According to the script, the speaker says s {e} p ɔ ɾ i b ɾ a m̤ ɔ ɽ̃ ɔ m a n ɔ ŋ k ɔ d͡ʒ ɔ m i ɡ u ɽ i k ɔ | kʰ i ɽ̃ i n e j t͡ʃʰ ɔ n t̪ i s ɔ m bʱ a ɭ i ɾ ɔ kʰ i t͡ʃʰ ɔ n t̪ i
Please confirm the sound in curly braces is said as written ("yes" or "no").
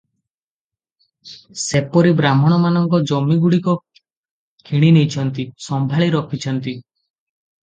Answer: yes